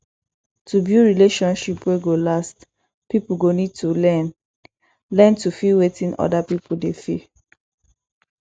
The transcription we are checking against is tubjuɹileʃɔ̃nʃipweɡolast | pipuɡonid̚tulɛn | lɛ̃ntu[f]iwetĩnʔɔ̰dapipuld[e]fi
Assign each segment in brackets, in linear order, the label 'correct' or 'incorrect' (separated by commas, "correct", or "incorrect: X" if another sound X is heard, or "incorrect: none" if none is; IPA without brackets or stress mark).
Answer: correct, correct